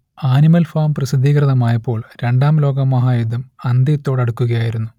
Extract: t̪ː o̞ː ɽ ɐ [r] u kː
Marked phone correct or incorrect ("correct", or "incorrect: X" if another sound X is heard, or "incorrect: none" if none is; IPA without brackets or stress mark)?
incorrect: ɽ